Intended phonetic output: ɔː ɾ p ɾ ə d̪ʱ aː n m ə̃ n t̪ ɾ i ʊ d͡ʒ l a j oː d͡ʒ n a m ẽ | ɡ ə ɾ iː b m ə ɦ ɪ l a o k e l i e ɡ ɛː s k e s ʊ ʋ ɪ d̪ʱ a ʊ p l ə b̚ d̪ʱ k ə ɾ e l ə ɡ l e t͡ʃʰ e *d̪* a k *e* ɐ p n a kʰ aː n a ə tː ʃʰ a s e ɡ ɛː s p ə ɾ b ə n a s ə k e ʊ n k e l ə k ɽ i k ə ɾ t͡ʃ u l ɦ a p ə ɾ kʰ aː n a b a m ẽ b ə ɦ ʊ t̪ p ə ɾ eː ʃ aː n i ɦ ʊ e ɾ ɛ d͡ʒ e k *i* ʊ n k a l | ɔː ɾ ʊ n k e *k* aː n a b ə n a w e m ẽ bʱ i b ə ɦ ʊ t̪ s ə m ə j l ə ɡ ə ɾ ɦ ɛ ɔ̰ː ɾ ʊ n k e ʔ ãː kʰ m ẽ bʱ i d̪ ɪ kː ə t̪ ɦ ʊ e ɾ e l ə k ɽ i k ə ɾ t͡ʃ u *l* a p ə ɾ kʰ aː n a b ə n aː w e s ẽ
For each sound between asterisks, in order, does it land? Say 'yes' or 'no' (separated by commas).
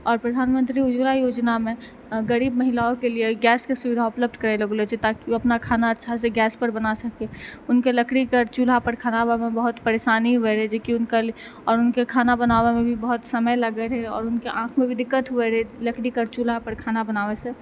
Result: no, no, yes, no, yes